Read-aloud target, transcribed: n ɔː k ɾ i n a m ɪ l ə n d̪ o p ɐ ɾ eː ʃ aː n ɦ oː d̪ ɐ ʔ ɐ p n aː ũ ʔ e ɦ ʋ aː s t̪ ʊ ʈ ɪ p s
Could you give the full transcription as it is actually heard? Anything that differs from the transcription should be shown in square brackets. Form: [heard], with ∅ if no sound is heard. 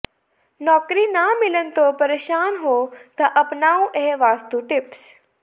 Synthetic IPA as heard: n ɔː k ɾ i n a m ɪ l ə n [t̪] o p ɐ ɾ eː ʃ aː n ɦ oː [t̪] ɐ ʔ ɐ p n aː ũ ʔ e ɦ ʋ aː s t̪ [u] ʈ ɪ p s